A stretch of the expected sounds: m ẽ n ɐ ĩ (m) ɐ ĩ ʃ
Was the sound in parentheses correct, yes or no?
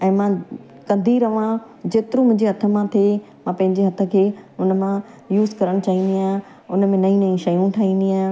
no